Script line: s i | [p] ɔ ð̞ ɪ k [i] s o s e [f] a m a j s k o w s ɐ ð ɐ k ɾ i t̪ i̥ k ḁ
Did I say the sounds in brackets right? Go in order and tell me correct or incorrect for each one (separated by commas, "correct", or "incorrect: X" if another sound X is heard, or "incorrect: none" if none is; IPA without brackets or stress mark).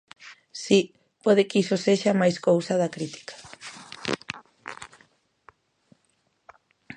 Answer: correct, correct, incorrect: ʃ